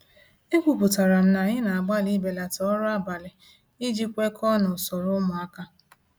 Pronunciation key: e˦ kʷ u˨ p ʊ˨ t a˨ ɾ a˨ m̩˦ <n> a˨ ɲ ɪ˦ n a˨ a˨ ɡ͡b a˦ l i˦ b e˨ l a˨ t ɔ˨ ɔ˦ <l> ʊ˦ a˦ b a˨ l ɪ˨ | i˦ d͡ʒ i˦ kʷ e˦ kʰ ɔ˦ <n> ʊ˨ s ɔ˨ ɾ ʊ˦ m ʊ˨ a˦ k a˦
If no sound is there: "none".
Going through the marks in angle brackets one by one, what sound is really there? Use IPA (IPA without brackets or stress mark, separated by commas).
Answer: n, ɾ, n